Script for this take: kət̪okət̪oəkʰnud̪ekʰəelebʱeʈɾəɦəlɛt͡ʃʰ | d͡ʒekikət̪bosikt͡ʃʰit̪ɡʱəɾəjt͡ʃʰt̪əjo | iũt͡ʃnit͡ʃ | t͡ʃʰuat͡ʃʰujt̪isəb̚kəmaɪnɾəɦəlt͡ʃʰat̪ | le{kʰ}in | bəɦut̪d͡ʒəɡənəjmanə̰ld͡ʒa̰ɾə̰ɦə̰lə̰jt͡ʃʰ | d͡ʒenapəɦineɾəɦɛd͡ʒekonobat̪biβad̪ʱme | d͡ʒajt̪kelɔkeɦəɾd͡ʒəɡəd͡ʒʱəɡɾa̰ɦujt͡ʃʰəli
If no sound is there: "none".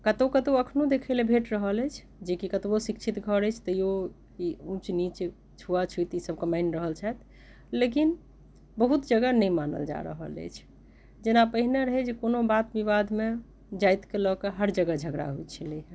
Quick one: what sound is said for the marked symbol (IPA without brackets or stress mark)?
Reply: k